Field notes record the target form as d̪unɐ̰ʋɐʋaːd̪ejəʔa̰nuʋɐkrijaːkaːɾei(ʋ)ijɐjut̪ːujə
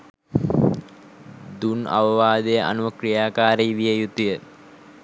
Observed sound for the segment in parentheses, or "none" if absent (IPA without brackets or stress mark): ʋ